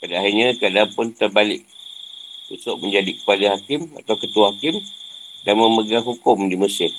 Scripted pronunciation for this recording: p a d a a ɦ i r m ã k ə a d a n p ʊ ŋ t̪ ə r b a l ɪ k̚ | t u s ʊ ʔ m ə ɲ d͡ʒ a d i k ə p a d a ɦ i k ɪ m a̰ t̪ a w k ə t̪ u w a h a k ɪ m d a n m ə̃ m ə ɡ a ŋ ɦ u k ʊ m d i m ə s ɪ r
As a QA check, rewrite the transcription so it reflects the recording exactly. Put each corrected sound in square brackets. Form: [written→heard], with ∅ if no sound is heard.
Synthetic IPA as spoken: p a d a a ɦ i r [m→ɲ] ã k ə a d a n p ʊ [ŋ→n] t̪ ə r b a l ɪ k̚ | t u s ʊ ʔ m ə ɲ d͡ʒ a d i k ə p a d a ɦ [i→a] k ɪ m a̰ t̪ a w k ə t̪ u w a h a k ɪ m d a n m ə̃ m ə ɡ a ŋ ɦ u k ʊ m d i m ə s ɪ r